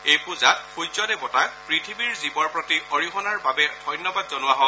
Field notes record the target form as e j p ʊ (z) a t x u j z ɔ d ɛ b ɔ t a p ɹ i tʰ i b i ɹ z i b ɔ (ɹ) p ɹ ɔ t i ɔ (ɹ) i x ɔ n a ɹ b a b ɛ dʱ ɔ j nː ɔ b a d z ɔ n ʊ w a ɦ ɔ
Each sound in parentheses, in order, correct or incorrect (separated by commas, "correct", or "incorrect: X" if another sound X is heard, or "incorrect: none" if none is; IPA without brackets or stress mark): correct, correct, correct